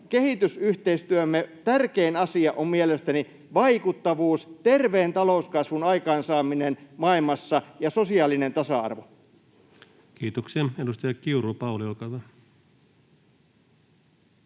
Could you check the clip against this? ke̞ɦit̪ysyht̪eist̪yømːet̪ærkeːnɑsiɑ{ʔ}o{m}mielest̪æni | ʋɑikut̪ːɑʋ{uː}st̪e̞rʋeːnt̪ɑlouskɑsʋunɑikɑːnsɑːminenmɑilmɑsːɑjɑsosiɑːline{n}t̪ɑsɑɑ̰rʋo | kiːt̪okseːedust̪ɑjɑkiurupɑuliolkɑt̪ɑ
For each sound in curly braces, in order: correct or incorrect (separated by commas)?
correct, correct, correct, correct